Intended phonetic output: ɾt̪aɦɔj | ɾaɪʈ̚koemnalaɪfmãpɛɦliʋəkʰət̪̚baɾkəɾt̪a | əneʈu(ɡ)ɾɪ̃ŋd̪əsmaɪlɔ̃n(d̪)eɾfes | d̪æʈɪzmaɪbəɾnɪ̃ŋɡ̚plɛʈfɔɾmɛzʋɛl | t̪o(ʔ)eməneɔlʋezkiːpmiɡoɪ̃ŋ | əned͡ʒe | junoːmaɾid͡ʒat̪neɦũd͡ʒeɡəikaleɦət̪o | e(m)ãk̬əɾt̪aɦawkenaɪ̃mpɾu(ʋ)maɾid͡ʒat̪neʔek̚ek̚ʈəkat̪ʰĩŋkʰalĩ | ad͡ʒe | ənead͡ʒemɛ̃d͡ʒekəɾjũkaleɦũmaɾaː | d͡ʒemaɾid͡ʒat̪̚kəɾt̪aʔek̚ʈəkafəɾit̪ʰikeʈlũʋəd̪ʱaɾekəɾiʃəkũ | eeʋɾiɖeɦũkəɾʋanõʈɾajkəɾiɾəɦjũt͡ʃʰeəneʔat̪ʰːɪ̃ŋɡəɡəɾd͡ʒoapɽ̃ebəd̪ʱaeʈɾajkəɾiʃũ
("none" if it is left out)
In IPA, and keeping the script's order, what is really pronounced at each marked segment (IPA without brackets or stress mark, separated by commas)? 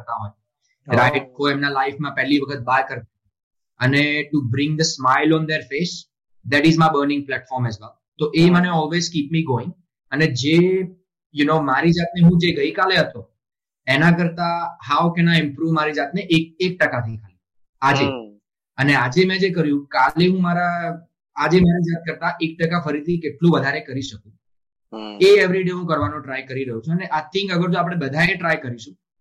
b, d̪, ʔ, n, ʋ